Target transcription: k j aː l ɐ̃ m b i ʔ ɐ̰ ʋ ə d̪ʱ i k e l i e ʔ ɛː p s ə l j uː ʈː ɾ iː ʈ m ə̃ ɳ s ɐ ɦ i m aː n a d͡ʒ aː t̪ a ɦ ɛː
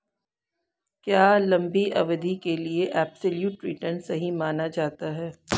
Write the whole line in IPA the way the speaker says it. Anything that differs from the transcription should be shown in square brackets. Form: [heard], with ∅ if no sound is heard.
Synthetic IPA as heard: k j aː l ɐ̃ m b i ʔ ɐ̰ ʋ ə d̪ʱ i k e l i e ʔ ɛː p s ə l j uː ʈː ɾ iː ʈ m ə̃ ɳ s ɐ ɦ i m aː n a d͡ʒ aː t̪ a ɦ ɛː